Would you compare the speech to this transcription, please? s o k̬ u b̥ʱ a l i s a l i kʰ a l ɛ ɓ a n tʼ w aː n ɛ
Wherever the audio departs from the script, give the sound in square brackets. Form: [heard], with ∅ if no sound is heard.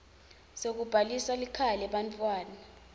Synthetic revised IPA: s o k̬ u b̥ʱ a l i s a l i kʰ a l ɛ ɓ a n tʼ w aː n [a]